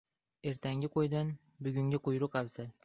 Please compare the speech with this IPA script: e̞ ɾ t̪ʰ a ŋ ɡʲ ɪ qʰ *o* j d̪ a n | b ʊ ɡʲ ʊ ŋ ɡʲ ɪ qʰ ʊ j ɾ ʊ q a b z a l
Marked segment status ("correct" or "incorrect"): correct